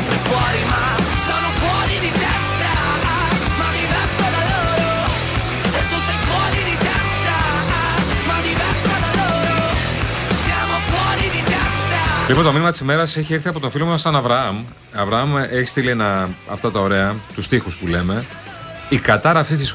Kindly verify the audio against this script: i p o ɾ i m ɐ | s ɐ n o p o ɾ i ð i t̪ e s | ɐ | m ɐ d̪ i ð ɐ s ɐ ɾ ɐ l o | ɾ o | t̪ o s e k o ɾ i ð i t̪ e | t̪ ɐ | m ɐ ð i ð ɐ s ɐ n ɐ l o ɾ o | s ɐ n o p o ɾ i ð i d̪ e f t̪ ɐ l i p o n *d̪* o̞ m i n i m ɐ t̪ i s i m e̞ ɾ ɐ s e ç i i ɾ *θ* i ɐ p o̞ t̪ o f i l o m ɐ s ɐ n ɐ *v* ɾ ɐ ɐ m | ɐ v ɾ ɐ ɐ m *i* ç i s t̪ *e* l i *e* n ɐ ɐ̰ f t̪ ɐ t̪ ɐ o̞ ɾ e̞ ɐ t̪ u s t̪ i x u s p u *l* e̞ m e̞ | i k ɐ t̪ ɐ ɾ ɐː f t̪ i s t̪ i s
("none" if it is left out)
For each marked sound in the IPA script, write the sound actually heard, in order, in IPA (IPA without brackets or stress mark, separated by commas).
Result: t̪, θ, v, e, i, e, l